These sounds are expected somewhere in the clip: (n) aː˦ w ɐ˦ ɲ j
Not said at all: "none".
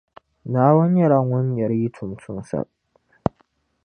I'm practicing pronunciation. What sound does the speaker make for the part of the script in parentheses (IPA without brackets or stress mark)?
n